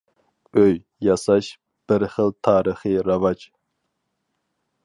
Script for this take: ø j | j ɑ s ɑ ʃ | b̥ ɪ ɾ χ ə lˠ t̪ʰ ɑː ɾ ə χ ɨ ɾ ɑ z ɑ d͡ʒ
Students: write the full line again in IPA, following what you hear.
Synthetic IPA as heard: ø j | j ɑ s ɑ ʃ | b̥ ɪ ɾ χ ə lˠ t̪ʰ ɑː ɾ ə χ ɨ ɾ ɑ v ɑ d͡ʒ